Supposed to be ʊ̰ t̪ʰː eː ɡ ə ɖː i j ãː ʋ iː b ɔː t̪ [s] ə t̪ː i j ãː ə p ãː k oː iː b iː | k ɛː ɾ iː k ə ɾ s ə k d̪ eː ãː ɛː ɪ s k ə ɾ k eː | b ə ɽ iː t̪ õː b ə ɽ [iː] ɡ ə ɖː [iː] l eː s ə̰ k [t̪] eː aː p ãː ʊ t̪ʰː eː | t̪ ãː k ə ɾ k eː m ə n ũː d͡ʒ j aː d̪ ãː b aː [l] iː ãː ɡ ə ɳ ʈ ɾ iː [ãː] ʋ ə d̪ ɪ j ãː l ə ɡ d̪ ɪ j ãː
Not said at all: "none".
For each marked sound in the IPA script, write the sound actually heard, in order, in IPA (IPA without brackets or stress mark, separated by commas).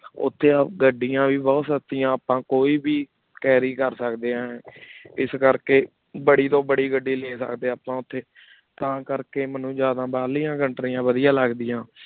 s, iː, iː, d̪, l, ãː